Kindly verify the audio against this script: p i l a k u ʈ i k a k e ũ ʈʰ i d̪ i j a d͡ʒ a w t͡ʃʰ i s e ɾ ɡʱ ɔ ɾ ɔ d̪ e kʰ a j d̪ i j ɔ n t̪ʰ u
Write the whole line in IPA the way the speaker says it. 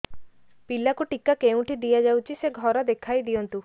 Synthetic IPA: p i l a k u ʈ i k a k e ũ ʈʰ i d̪ i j a d͡ʒ a w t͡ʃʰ i s e ɡʱ ɔ ɾ ɔ d̪ e kʰ a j d̪ i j ɔ n t̪ u